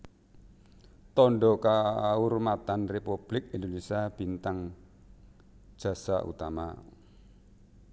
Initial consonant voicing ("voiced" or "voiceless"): voiceless